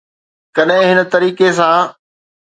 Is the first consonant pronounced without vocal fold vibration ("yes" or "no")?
yes